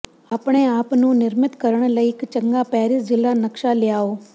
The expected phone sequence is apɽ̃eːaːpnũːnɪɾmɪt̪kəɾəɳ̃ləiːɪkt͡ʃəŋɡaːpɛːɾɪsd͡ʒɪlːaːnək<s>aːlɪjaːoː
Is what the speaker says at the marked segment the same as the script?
no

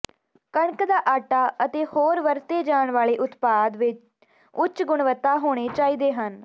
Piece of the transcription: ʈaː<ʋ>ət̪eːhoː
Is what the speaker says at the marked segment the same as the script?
no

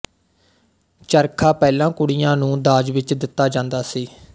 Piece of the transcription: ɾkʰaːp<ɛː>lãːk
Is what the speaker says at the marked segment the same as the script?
yes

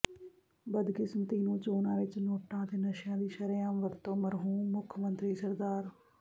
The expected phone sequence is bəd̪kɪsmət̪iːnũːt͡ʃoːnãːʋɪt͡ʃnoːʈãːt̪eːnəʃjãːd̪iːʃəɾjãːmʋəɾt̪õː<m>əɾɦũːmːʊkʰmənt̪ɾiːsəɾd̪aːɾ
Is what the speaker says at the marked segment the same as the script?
yes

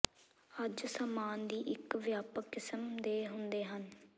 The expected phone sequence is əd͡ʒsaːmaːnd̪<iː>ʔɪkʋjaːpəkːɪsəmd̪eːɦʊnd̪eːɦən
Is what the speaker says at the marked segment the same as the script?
yes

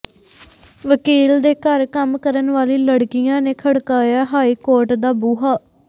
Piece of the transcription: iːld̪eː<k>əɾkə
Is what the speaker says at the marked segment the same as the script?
yes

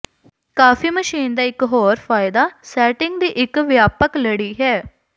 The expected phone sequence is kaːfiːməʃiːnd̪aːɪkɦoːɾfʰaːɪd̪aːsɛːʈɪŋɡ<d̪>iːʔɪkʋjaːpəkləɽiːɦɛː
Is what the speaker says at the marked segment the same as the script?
yes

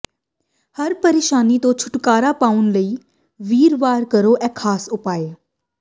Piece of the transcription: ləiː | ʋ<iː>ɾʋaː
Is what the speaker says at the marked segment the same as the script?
yes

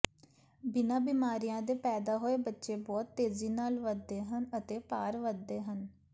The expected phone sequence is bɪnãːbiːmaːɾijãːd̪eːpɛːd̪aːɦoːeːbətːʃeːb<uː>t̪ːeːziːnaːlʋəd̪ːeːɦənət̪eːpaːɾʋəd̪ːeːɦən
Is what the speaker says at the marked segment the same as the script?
no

